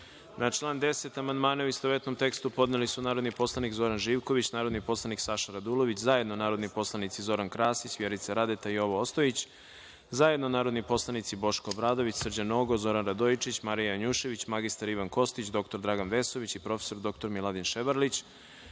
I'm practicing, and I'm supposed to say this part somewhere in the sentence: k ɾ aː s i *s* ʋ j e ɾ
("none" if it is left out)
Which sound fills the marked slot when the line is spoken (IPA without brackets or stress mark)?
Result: s